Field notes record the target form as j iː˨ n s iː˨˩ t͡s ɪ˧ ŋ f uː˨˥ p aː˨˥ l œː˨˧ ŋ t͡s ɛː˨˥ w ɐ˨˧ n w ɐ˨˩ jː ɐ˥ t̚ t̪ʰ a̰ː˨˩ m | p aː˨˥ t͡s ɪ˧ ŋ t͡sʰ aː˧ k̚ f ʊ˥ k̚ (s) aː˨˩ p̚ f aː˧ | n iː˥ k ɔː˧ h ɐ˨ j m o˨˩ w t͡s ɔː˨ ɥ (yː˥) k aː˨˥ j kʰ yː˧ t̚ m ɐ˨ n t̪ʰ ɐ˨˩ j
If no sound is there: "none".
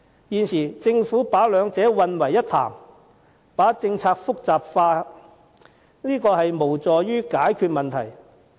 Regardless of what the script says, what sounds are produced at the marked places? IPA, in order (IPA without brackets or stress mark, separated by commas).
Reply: t͡s, yː˥